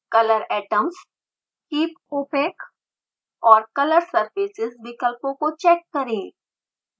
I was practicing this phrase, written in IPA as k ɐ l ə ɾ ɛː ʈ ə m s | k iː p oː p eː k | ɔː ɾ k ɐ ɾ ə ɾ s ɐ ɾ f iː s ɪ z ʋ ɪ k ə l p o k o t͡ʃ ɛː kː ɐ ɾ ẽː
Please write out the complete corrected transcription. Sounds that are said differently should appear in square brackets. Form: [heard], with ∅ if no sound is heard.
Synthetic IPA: k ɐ l ə ɾ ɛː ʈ ə m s | k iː p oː p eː k | ɔː ɾ k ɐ [l] ə ɾ s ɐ ɾ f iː s ɪ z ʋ ɪ k ə l p [õ] k o t͡ʃ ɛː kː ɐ ɾ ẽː